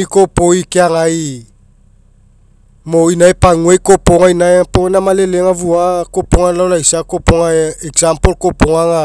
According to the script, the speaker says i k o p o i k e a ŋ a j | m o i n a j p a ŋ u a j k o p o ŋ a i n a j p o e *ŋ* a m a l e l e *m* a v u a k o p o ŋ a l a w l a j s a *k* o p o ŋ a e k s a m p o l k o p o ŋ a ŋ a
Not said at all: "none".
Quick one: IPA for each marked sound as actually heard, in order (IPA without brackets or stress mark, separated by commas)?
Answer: n, ŋ, k